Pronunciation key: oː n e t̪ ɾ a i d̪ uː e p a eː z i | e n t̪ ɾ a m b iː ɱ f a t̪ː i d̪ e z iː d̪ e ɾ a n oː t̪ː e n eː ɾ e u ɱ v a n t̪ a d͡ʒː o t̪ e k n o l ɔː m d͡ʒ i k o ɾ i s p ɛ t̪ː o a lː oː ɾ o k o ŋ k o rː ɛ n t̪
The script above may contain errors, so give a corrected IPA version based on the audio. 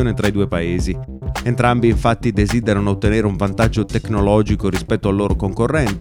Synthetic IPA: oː n e t̪ ɾ a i d̪ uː e p a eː z i | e n t̪ ɾ a m b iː ɱ f a t̪ː i d̪ e z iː d̪ e ɾ a n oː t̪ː e n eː ɾ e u ɱ v a n t̪ a d͡ʒː o t̪ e k n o l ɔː d͡ʒ i k o ɾ i s p ɛ t̪ː o a lː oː ɾ o k o ŋ k o rː ɛ n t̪